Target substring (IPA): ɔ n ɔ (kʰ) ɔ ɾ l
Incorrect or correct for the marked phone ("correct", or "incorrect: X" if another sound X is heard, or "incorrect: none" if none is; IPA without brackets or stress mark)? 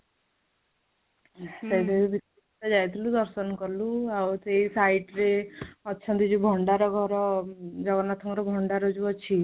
incorrect: k